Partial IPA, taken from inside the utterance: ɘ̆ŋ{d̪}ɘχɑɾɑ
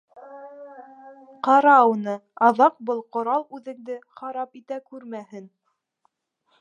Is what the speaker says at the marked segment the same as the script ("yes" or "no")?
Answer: yes